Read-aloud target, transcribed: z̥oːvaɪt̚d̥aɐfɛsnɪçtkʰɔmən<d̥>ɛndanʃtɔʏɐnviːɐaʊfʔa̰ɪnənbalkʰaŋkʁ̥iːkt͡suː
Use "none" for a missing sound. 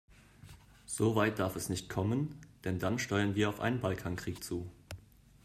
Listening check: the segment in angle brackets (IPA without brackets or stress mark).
d̥